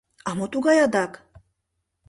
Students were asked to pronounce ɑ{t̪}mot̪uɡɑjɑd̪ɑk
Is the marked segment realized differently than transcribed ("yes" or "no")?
yes